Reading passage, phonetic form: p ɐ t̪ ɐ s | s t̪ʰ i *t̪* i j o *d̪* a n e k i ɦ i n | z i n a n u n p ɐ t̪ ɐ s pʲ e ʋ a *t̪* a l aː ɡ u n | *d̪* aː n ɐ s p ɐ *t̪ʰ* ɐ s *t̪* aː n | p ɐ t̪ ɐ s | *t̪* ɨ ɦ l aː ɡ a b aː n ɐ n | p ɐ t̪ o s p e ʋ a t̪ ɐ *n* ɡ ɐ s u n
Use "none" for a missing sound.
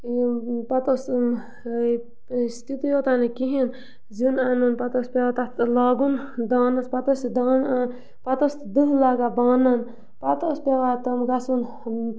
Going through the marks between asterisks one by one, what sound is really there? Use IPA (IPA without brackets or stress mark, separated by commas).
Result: t̪, t̪, t̪, d̪, t̪, d̪, d̪, m